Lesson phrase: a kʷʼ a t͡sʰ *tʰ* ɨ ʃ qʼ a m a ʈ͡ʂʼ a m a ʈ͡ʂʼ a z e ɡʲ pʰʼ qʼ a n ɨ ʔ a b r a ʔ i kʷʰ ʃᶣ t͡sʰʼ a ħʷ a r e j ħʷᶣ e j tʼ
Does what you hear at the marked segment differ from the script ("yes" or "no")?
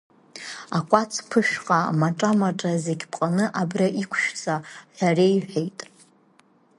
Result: yes